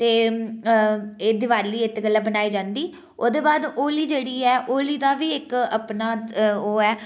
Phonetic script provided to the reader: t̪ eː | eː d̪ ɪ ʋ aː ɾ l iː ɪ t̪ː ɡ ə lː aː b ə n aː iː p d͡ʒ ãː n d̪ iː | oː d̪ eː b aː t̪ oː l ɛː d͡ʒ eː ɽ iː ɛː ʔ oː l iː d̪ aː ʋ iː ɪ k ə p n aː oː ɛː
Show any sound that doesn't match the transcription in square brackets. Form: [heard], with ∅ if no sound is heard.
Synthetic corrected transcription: t̪ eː | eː d̪ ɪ ʋ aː ɾ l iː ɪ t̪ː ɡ ə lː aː b ə n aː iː [∅] d͡ʒ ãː n d̪ iː | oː d̪ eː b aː [d̪] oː l [iː] d͡ʒ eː ɽ iː ɛː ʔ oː l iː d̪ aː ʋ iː ɪ k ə p n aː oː ɛː